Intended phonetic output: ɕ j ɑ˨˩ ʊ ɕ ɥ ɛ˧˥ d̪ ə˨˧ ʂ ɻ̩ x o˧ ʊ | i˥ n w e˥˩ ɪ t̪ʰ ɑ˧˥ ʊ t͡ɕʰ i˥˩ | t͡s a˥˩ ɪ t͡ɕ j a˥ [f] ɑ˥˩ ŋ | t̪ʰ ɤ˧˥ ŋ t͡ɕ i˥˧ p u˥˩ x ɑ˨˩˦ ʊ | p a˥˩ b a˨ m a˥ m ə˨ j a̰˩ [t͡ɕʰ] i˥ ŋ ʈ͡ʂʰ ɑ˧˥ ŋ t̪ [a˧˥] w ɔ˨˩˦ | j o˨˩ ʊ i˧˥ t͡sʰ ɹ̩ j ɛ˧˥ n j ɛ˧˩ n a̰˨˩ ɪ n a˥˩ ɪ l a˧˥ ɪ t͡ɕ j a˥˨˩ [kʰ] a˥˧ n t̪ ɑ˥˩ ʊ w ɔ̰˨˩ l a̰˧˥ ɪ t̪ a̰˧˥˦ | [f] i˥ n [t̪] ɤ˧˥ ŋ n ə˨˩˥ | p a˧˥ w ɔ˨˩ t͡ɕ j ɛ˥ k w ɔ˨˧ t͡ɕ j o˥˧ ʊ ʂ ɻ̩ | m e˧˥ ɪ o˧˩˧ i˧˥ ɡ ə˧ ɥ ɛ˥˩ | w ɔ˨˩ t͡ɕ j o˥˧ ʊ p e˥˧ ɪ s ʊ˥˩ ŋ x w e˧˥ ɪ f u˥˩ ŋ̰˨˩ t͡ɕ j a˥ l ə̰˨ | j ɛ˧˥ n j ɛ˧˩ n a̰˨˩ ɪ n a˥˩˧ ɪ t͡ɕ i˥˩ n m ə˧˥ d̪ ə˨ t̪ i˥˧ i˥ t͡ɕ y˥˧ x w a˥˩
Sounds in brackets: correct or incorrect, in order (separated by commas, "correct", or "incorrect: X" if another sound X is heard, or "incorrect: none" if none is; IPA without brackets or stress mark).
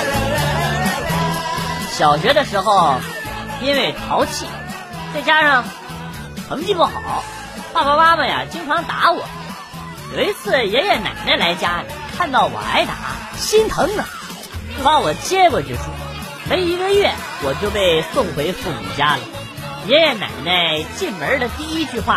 incorrect: ʂ, incorrect: t͡ɕ, correct, correct, incorrect: ɕ, incorrect: t̪ʰ